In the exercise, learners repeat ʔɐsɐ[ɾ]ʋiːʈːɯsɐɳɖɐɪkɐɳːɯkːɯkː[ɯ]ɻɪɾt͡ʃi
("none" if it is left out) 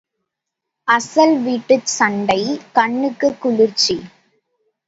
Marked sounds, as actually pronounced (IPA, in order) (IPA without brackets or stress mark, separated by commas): l, ʊ